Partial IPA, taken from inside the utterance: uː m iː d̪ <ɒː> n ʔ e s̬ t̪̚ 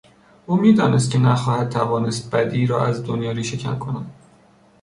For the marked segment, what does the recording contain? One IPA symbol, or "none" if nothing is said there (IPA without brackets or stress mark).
ɒː